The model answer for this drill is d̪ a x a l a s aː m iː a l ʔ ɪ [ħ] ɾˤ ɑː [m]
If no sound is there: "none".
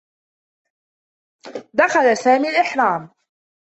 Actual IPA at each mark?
ħ, m

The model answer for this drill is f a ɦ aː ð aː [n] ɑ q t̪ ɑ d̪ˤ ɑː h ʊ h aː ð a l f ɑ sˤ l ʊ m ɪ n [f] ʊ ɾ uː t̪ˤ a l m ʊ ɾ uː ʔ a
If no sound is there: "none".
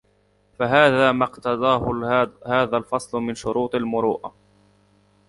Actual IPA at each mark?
m, ʃ

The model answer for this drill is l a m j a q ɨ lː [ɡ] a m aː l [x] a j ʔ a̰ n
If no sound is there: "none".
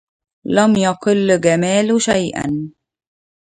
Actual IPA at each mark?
ɡ, ʃ

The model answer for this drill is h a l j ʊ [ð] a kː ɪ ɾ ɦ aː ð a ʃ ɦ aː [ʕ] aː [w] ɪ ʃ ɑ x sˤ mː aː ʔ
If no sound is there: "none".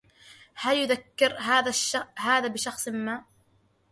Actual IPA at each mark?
ð, ð, b

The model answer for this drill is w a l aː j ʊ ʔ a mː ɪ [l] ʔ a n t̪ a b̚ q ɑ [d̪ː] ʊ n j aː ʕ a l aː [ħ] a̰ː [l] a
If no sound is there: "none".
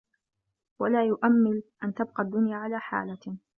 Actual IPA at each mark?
l, d̪ː, ħ, l

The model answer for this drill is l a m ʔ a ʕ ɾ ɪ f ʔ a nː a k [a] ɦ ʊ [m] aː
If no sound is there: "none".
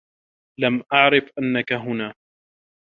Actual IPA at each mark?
a, n

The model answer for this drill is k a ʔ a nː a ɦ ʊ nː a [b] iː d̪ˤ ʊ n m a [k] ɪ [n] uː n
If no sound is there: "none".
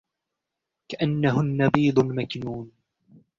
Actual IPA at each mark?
b, k, n

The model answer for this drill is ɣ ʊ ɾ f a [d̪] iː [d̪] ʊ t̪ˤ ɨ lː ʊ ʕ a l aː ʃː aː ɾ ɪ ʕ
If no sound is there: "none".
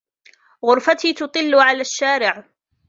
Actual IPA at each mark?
t̪, t̪

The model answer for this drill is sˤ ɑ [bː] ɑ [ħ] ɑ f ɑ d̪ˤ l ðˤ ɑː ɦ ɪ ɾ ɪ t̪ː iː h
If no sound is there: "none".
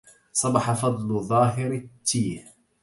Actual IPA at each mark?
b, ħ

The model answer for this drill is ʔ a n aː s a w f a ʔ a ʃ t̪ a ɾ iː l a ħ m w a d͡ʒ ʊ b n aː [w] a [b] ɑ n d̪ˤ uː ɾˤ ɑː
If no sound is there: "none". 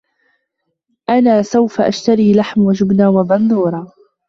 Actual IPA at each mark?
w, b

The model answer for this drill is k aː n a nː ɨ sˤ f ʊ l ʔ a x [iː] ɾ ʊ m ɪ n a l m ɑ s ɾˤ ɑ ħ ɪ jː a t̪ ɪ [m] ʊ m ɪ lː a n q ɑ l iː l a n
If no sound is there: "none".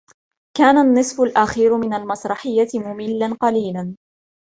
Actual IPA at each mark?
iː, m

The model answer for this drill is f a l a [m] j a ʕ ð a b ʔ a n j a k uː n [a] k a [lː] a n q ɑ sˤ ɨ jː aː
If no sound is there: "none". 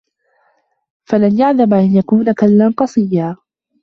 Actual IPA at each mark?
n, a, lː

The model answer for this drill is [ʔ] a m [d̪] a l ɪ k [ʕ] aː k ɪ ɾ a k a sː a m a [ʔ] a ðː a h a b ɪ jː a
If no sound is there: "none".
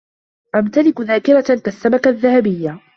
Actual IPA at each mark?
ʔ, t̪, ð, k

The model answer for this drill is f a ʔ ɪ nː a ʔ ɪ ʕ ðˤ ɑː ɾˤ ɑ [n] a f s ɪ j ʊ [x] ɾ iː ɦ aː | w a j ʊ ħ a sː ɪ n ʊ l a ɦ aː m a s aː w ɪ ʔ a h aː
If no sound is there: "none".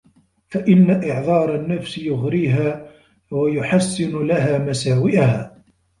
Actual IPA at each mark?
nː, ɣ

